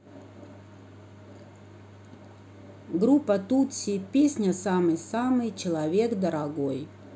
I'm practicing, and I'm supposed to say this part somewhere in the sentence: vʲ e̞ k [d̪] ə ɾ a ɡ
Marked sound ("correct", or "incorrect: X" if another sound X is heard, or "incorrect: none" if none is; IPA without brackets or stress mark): correct